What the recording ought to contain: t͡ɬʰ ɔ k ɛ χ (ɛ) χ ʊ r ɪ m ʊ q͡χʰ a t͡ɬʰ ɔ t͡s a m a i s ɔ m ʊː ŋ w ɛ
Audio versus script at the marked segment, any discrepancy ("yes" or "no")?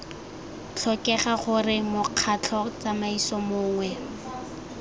yes